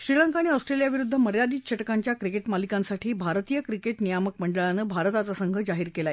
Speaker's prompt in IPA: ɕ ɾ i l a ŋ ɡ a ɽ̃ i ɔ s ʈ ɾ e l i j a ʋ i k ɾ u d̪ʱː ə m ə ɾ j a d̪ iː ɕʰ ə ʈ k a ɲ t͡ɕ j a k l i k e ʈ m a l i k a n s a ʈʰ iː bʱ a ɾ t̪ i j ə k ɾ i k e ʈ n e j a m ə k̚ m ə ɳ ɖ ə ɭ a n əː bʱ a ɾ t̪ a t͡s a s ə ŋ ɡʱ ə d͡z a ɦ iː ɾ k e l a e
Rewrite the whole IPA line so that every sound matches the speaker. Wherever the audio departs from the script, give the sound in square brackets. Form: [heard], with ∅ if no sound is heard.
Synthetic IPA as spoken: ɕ ɾ i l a ŋ [k] a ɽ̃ i ɔ s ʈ ɾ e l i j a ʋ i [∅] ɾ u d̪ʱː ə m ə ɾ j a d̪ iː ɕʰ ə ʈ k a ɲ t͡ɕ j a k [ɾ] i k e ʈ m a l i k a n s a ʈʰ iː bʱ a ɾ t̪ i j ə k ɾ i k e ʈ n [i] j a m ə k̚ m ə ɳ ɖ ə ɭ a n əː bʱ a ɾ t̪ a t͡s a s ə ŋ ɡʱ ə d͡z a ɦ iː ɾ k e l a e